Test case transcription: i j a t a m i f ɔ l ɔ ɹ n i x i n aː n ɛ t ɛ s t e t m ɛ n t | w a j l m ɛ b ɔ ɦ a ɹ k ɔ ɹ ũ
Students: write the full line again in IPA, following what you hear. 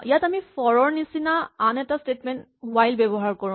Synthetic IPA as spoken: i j a t a m i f ɔ ɹ ɔ ɹ n i s i n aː n ɛ t a s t e t m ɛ n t | w a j l b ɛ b ɔ ɦ a ɹ k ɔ ɹ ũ